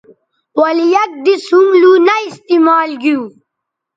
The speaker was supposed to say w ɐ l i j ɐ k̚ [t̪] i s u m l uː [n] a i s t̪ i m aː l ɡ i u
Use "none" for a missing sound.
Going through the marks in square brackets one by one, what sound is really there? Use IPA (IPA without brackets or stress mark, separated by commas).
d̪, n